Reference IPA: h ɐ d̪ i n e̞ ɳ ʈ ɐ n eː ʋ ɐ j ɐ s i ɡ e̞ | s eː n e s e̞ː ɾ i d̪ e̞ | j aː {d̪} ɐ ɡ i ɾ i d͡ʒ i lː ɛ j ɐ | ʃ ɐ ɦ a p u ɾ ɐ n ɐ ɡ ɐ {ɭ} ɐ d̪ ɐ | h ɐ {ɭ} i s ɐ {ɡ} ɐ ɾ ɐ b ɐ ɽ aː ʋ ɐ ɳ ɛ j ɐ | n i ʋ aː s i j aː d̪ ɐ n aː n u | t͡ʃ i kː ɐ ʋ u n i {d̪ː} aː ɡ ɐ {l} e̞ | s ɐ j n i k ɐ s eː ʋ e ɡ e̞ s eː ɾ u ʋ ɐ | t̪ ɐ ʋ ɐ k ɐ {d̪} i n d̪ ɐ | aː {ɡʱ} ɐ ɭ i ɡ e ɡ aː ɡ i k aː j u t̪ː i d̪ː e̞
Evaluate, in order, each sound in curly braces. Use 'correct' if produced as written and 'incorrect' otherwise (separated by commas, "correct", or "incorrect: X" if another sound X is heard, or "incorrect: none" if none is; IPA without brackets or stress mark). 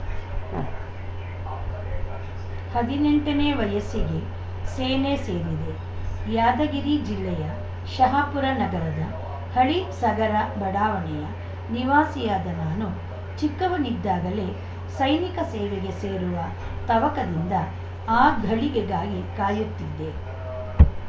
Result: correct, incorrect: ɾ, correct, correct, correct, correct, correct, correct